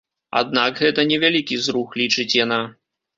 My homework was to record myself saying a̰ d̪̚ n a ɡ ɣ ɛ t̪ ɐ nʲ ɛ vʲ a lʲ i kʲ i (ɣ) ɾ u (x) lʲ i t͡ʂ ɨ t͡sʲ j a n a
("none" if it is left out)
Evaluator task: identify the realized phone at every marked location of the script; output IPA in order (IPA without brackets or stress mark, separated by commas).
z, x